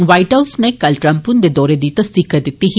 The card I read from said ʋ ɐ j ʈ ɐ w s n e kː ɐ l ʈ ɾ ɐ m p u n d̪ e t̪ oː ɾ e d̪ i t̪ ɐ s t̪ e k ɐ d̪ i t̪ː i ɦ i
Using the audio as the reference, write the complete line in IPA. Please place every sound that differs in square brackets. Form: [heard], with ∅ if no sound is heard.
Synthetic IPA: ʋ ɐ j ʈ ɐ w s n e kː ɐ l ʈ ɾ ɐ m p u n d̪ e [d̪] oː ɾ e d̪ i t̪ ɐ s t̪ [i] k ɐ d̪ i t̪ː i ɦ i